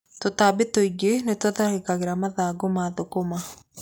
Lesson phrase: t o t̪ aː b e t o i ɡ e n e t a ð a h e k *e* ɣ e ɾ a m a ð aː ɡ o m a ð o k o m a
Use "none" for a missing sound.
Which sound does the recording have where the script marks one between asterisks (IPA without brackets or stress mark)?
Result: a